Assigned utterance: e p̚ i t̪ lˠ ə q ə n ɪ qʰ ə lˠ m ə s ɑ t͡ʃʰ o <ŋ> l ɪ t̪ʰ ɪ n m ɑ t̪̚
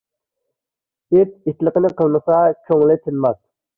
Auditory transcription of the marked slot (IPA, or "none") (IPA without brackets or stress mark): ŋ